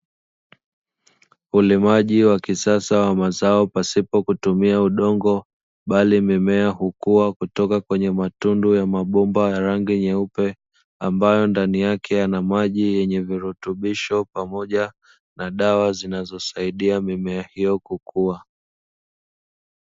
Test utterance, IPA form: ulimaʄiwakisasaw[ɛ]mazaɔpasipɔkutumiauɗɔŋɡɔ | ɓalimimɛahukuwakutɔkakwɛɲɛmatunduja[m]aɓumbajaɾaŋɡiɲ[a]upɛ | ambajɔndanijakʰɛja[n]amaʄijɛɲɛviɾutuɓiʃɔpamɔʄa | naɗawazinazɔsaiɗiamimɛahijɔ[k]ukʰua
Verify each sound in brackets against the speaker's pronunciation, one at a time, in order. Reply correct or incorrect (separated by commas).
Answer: incorrect, correct, incorrect, correct, correct